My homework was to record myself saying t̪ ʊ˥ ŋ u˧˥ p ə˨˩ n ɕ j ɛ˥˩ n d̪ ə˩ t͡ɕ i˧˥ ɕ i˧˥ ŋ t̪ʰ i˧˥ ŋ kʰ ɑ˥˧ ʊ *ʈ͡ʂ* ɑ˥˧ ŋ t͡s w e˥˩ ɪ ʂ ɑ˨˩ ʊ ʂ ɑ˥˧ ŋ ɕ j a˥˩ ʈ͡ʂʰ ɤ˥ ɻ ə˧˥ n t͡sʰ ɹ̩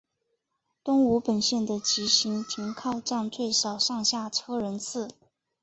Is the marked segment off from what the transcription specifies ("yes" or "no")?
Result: no